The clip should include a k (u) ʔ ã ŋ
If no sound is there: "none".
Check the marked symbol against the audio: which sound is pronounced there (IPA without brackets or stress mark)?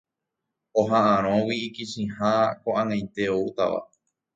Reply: o